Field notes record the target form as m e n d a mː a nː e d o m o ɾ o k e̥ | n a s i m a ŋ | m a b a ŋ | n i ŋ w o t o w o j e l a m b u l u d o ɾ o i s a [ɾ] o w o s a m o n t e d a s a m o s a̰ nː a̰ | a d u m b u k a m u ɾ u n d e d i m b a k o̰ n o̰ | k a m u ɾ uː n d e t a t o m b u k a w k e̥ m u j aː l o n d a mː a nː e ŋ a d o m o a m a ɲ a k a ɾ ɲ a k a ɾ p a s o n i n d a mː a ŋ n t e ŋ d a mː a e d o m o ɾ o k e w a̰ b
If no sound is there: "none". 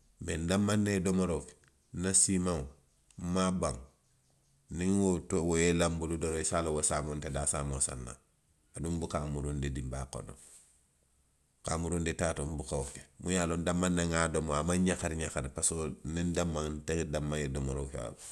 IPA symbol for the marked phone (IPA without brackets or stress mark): l